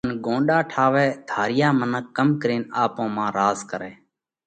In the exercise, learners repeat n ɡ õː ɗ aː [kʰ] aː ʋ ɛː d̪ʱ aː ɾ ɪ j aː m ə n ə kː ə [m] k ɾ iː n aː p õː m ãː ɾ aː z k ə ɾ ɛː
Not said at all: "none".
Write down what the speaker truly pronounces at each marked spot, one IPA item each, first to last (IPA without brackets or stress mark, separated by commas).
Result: ʈʰ, m